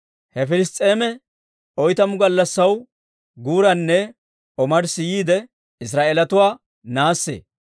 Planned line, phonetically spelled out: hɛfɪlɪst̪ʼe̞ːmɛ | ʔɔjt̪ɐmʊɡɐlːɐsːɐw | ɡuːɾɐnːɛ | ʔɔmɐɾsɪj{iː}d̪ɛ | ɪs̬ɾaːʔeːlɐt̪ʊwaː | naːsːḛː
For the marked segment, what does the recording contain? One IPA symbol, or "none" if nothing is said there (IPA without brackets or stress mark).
iː